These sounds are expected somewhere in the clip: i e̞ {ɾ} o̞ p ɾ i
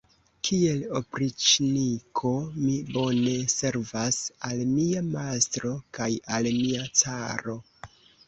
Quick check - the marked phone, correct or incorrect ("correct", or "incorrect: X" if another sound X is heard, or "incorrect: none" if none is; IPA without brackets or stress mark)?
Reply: incorrect: l